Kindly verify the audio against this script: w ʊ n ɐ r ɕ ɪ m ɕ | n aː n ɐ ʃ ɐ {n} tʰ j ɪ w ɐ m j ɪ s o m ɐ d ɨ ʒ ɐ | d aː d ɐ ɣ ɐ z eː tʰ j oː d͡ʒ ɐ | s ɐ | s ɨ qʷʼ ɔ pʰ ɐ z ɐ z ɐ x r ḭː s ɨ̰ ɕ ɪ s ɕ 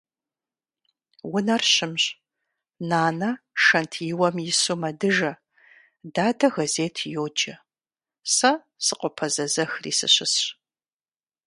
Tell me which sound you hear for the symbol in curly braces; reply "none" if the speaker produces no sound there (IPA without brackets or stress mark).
n